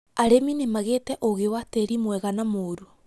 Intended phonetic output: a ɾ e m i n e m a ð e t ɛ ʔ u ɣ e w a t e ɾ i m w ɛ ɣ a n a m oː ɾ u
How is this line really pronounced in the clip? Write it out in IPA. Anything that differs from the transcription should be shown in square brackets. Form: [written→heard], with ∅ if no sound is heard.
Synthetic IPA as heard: a ɾ e m i n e m a [ð→ɣ] e t ɛ ʔ [u→o] ɣ e w a t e ɾ i m w ɛ ɣ a n a m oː ɾ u